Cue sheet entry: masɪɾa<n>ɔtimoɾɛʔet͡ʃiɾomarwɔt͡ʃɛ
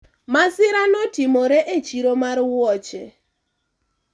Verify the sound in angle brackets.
correct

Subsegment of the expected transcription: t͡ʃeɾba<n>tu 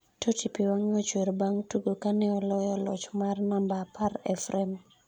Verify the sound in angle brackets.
incorrect: ŋ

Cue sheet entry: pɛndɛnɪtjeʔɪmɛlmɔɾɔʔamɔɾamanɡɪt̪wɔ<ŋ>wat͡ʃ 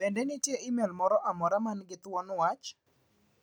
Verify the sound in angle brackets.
incorrect: n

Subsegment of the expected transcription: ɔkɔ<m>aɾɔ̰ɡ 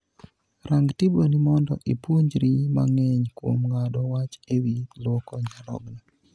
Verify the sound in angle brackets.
incorrect: ɲ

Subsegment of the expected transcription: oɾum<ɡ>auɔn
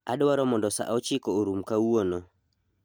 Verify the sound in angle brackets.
incorrect: k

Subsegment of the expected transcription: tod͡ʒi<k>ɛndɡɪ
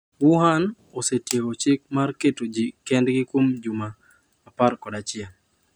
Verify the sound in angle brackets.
correct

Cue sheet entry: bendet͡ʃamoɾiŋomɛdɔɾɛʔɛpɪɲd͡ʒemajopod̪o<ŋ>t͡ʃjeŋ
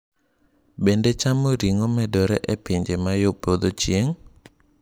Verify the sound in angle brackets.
incorrect: none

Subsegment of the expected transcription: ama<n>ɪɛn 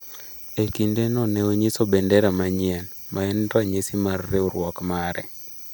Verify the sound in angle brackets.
incorrect: ɲ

